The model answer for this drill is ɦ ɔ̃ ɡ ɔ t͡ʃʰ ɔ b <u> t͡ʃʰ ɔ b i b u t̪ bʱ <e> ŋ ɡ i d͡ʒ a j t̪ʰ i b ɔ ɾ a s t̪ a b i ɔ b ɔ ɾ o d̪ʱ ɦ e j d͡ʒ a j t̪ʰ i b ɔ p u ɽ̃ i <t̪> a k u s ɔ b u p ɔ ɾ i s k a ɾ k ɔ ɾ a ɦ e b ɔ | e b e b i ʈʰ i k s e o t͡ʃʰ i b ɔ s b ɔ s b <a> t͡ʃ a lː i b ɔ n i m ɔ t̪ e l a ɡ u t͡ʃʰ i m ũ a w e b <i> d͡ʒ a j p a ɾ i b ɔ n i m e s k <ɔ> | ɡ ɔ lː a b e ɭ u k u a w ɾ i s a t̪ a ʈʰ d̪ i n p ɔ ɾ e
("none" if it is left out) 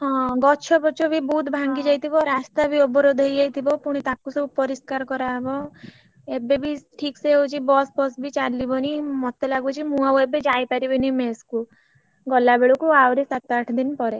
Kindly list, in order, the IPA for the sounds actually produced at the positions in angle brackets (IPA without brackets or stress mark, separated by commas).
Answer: ɔ, a, t̪, i, e, u